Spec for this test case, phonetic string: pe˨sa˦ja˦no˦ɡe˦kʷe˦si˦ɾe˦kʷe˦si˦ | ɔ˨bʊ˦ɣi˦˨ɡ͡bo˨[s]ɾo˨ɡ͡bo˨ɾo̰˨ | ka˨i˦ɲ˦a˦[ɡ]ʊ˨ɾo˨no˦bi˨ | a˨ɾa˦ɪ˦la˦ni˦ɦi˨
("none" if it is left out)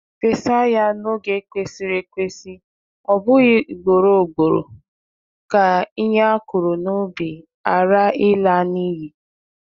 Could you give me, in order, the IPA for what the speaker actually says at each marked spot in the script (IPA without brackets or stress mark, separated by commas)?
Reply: none, k